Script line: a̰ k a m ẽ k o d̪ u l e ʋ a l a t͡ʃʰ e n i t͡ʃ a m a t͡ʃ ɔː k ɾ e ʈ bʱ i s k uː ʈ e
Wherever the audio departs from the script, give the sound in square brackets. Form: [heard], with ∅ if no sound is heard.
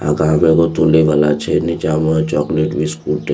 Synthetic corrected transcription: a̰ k a m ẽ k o [t̪] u l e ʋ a l a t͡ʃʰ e n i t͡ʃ a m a t͡ʃ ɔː k [l] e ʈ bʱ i s k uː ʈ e